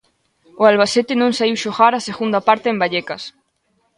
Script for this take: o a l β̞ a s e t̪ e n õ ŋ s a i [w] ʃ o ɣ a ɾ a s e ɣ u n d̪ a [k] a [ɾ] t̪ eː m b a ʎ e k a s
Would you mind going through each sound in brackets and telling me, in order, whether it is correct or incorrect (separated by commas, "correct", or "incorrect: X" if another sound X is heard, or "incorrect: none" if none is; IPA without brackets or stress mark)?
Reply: correct, incorrect: p, correct